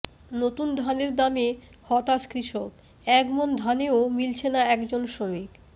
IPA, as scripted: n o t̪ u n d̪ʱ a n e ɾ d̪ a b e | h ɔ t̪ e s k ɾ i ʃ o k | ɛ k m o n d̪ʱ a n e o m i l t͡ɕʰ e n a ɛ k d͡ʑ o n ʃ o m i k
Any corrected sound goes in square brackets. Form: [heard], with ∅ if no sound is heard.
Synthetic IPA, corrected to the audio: n o t̪ u n d̪ʱ a n e ɾ d̪ a [m] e | h ɔ t̪ [a] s k ɾ i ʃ o k | ɛ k m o n d̪ʱ a n e o m i l t͡ɕʰ e n a ɛ k d͡ʑ o n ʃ o m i k

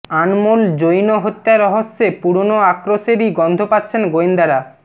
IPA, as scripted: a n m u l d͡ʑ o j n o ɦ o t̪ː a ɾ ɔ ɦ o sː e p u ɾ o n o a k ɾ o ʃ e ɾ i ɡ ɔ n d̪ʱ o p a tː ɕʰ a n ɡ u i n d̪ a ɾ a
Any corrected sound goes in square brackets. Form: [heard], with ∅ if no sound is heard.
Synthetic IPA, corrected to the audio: a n m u l d͡ʑ o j n o ɦ o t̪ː a ɾ ɔ ɦ o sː e p u ɾ o n o a k ɾ o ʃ e ɾ i ɡ ɔ n d̪ʱ o p a tː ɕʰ [e] n ɡ [o] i n d̪ a ɾ a

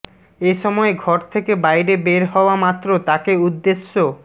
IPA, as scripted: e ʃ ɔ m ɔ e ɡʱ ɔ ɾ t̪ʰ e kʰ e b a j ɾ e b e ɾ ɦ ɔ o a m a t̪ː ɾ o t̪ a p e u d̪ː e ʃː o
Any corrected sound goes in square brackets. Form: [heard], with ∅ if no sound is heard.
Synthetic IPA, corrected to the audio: e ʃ ɔ m ɔ e ɡʱ ɔ ɾ t̪ʰ e [k] e b a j ɾ e b e ɾ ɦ ɔ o a m a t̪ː ɾ o t̪ a [k] e u d̪ː e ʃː o

